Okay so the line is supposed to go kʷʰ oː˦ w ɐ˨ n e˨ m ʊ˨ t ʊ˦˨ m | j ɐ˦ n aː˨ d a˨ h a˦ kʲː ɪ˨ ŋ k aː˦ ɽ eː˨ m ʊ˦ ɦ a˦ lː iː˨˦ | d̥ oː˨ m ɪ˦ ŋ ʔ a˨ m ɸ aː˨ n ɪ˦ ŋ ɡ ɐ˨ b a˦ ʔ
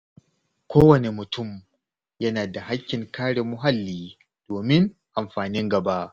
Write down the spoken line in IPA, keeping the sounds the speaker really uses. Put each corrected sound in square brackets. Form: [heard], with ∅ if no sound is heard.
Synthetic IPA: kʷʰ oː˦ w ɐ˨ n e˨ m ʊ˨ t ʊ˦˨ m | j ɐ˦ n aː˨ d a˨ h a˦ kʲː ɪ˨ ŋ k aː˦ ɽ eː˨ m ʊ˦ ɦ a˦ lː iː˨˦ | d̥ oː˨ m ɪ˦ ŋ ʔ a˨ m ɸ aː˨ n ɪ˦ ŋ ɡ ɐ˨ b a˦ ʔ

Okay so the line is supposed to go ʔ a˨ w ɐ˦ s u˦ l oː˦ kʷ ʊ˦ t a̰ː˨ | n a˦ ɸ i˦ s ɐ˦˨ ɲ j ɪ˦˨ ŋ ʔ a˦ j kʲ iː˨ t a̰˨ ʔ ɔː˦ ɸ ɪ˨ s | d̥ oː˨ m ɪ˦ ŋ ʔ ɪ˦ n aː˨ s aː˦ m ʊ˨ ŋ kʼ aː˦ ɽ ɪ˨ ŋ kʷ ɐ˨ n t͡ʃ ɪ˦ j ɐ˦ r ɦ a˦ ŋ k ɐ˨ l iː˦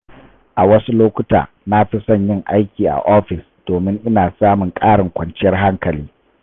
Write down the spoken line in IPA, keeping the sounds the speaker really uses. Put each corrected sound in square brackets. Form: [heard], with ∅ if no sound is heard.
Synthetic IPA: ʔ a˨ w ɐ˦ s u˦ l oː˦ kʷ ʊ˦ t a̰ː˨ | n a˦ ɸ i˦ s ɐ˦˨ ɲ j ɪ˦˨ ŋ ʔ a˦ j kʲ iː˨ [ʔ] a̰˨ ʔ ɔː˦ ɸ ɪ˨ s | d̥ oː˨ m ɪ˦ ŋ ʔ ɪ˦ n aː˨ s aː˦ m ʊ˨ ŋ kʼ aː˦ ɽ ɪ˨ ŋ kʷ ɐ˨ n t͡ʃ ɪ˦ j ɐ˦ r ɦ a˦ ŋ k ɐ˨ l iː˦

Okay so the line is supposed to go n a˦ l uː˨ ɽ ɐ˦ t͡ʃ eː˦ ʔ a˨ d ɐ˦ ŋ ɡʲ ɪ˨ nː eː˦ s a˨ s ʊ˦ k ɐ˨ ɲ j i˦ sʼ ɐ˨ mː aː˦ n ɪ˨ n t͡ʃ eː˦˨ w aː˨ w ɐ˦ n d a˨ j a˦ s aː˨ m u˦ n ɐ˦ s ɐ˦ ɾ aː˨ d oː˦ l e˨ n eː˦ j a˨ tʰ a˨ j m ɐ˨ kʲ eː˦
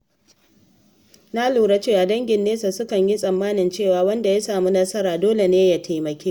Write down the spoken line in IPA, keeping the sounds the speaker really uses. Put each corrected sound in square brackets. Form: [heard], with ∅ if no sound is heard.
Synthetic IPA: n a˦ l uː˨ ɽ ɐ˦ t͡ʃ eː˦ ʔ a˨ d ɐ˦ ŋ ɡʲ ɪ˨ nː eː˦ s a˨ s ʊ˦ k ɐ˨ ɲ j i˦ sʼ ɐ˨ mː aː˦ n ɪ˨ n t͡ʃ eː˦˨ w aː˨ w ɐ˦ n d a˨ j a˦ s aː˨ m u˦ n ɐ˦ s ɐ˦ ɾ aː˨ d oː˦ l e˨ n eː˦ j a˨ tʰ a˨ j m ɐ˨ kʲ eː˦

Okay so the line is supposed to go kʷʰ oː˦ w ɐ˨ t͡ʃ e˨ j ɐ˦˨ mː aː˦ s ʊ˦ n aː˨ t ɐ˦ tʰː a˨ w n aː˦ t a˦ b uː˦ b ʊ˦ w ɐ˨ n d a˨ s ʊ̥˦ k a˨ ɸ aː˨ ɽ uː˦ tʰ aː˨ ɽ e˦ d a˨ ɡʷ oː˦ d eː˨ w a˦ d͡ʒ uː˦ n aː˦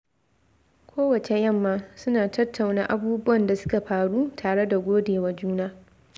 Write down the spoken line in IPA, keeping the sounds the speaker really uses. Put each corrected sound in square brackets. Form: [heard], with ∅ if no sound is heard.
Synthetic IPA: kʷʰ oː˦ w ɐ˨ t͡ʃ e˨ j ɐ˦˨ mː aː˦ s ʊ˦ n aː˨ t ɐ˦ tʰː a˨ w n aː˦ [ʔ] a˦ b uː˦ b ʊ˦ w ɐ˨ n d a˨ s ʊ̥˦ k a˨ ɸ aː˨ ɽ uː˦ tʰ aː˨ ɽ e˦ d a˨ ɡʷ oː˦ d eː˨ w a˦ d͡ʒ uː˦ n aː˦

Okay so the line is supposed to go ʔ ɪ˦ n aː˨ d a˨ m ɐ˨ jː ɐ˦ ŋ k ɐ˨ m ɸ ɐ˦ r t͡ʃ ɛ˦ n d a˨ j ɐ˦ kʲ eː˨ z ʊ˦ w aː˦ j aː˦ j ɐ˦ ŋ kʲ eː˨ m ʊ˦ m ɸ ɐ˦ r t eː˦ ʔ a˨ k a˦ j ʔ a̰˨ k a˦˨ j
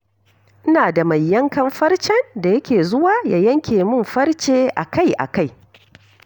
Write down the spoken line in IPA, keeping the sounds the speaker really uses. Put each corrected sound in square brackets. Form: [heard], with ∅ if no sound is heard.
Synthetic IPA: ʔ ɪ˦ n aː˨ d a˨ m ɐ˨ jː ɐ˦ ŋ k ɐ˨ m ɸ ɐ˦ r t͡ʃ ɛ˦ n d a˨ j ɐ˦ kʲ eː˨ z ʊ˦ w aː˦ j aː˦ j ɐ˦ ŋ kʲ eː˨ m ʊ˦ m ɸ ɐ˦ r [t͡ʃ] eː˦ ʔ a˨ k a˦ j ʔ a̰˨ k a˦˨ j

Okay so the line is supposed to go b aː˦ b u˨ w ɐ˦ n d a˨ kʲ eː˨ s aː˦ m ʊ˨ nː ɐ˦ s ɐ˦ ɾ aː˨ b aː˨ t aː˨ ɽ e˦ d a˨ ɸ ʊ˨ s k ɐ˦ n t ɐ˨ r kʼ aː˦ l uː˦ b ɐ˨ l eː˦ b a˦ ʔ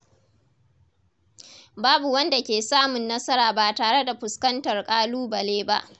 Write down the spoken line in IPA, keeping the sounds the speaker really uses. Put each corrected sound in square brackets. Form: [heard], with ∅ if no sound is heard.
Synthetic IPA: b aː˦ b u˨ w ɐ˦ n d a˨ kʲ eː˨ s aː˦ m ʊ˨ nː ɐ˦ s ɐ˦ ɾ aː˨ b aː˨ t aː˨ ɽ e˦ d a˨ ɸ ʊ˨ s k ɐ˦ n t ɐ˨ r kʼ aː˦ l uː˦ b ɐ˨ l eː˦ b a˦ ʔ

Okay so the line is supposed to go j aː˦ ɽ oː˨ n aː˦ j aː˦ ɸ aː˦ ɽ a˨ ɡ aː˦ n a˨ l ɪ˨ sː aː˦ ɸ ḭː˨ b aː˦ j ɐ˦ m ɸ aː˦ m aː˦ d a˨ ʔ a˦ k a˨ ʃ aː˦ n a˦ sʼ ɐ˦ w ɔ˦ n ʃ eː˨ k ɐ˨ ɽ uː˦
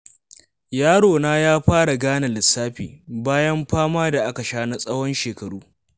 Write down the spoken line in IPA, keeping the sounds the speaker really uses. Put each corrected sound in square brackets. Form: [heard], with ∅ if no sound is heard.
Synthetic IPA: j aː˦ ɽ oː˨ n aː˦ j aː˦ ɸ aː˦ ɽ a˨ ɡ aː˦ n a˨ l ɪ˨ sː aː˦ ɸ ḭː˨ b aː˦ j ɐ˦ m ɸ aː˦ m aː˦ d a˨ ʔ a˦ k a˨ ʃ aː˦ n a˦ sʼ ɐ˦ w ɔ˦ n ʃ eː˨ k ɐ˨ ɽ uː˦

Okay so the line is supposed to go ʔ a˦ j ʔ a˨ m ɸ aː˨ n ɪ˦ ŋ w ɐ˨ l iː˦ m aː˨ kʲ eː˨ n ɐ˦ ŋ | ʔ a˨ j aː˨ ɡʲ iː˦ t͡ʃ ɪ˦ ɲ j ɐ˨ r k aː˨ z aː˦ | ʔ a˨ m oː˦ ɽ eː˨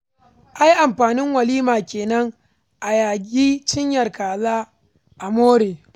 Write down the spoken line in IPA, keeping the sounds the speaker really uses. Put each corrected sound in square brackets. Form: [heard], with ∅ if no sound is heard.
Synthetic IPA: ʔ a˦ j ʔ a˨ m ɸ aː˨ n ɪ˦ ŋ w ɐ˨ l iː˦ m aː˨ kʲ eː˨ n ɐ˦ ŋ | ʔ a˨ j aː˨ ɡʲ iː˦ t͡ʃ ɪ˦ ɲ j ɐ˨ r k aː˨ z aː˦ | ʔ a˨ m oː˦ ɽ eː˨

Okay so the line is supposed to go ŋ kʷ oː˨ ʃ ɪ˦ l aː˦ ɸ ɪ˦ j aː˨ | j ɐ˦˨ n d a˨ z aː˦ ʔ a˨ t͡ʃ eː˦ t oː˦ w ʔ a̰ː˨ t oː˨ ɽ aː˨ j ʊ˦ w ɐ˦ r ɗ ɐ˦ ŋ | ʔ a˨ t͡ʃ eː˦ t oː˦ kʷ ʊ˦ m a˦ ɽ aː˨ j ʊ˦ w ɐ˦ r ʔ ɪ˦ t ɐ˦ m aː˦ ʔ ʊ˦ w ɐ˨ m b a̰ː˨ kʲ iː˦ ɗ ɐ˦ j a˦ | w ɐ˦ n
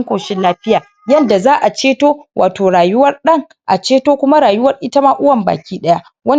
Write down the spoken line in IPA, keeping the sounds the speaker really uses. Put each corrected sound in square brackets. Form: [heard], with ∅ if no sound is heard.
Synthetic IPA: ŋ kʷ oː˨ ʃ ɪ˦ l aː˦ ɸ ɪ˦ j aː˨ | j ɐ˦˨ n d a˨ z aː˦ ʔ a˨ t͡ʃ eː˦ t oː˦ w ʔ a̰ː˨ t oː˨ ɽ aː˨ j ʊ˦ w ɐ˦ r ɗ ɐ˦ ŋ | ʔ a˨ t͡ʃ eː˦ t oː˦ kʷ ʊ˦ m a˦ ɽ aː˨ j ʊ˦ w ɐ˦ r ʔ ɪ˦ t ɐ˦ m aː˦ ʔ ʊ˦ w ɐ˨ m b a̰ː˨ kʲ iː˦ ɗ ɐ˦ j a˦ | w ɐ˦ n

